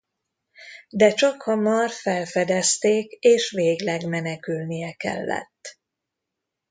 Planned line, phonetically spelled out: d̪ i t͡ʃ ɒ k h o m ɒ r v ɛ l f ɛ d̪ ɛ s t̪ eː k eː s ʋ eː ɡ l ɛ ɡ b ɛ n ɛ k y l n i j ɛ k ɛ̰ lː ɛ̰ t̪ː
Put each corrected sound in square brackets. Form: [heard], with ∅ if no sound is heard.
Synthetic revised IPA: d̪ [ɛ] t͡ʃ ɒ k h [ɒ] m ɒ r [f] ɛ l f ɛ d̪ ɛ s t̪ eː k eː [ʃ] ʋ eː ɡ l ɛ ɡ [m] ɛ n ɛ k y l n i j ɛ k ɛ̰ lː ɛ̰ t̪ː

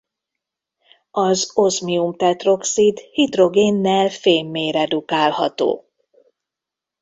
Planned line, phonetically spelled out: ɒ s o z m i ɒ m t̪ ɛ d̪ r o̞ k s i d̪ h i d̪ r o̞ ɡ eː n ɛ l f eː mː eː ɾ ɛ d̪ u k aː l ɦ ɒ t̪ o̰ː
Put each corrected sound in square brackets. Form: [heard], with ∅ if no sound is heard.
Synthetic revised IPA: ɒ [z] o z m i [u] m t̪ ɛ [t̪] r o̞ k s i d̪ h i d̪ r o̞ ɡ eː [nː] ɛ l f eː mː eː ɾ ɛ d̪ u k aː l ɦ ɒ t̪ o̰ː

